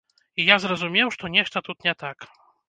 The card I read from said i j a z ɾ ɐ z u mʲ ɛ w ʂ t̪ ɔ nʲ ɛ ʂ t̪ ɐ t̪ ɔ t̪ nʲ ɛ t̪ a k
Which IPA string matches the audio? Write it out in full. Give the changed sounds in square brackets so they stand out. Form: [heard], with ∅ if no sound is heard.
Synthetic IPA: i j a z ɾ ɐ z u mʲ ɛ w ʂ t̪ ɔ nʲ ɛ ʂ t̪ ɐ t̪ [u] t̪ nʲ ɛ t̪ a k